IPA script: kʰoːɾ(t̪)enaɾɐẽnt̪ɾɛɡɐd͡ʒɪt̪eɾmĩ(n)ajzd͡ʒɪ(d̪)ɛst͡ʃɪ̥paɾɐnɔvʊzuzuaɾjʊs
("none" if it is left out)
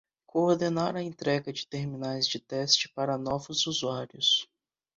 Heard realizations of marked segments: d̪, n, t̪

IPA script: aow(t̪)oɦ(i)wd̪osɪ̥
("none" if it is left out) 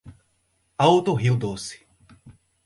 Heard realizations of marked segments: t̪, i

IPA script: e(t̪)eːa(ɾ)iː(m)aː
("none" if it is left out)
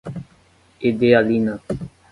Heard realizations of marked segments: d̪, l, n

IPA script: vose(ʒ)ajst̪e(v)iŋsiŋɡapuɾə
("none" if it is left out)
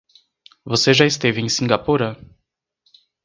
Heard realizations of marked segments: ʒ, v

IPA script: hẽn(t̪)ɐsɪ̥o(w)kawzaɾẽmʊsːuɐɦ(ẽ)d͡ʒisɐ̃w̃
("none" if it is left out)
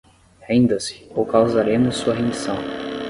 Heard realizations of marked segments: d̪, w, ẽ

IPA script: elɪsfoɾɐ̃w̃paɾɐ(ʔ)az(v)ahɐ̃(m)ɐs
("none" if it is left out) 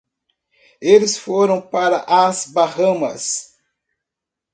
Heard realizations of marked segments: ʔ, b, m

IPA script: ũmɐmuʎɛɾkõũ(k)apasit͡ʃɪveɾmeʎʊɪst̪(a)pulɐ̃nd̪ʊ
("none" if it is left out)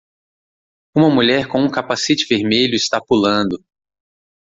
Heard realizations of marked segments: k, a

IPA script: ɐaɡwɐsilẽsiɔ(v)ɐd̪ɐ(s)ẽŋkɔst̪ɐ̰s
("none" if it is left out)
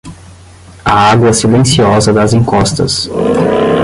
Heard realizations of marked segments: z, z

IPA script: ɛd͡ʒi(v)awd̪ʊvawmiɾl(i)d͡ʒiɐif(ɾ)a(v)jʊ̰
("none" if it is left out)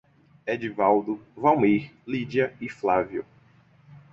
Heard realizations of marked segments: v, i, l, v

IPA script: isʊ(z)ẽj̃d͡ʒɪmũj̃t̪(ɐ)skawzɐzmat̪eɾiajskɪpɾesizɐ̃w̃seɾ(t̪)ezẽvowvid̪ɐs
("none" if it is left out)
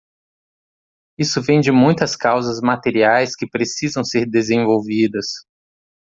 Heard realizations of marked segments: v, ɐ, d̪

